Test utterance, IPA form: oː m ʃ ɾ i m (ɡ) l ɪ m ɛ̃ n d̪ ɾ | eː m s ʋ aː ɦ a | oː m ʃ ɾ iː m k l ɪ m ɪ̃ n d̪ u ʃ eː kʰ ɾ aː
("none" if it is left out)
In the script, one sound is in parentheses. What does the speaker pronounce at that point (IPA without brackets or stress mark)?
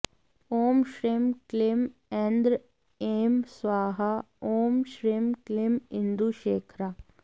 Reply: k